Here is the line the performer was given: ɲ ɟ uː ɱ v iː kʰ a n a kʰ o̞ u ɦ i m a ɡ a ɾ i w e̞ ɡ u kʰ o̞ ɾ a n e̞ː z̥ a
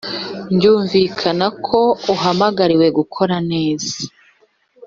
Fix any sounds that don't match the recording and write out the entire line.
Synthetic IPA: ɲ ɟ uː ɱ v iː kʰ a n a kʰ o̞ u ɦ a m a ɡ a ɾ i w e̞ ɡ u kʰ o̞ ɾ a n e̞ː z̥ a